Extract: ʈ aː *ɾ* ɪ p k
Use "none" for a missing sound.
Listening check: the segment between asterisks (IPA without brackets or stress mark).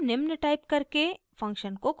none